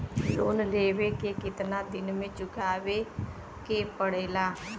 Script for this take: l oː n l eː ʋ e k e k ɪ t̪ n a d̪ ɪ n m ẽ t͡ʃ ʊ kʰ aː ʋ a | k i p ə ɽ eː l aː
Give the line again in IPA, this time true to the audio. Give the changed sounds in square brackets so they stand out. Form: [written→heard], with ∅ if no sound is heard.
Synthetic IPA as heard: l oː n l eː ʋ e k e k ɪ t̪ n a d̪ ɪ n m ẽ t͡ʃ ʊ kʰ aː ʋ [a→e] | k [i→e] p ə ɽ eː l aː